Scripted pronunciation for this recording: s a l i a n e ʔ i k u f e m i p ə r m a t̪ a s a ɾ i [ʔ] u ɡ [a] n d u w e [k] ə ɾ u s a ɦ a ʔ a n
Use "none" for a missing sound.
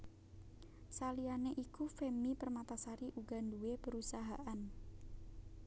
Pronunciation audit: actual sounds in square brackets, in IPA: ʔ, a, p

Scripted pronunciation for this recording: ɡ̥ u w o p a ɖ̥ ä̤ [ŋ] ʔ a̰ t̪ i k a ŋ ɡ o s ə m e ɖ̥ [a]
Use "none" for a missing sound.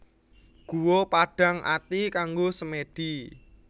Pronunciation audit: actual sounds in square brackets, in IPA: ŋ, i

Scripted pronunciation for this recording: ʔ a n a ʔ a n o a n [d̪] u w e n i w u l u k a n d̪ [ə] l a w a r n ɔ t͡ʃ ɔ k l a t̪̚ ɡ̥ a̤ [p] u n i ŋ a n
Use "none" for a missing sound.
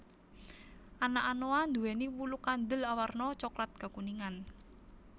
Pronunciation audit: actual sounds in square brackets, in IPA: d̪, ə, k

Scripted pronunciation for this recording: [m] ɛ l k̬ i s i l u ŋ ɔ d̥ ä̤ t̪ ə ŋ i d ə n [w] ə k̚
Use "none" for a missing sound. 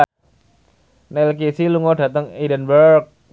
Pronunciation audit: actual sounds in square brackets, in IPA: n, b

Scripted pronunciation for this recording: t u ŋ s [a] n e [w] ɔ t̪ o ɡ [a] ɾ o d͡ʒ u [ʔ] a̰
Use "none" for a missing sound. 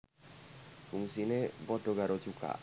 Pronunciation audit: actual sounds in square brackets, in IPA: i, b, a, k

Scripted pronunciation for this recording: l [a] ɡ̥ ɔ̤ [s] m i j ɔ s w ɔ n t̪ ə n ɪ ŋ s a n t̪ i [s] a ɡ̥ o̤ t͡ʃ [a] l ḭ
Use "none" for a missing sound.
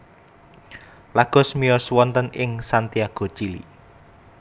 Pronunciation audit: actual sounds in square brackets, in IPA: a, s, none, i

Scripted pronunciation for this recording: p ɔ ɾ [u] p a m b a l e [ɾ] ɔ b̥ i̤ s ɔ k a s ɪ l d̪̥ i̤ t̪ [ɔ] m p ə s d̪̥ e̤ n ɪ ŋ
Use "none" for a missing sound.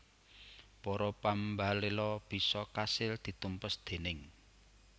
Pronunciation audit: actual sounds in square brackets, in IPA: ɔ, l, u

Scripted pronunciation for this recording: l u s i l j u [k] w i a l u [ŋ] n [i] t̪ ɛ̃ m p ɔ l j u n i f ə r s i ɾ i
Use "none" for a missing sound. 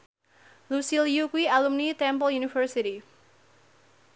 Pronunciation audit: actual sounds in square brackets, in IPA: k, m, i

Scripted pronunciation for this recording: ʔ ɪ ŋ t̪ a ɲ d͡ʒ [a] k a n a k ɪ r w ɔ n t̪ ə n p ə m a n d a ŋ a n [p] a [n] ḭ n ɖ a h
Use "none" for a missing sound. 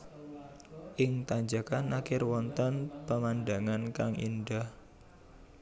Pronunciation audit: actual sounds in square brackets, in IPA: a, k, ŋ

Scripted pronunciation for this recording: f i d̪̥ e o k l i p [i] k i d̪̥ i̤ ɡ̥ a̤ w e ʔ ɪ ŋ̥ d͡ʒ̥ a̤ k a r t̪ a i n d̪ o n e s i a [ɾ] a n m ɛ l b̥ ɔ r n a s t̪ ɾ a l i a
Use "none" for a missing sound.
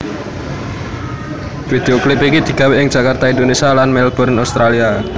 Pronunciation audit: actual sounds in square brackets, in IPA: i, l

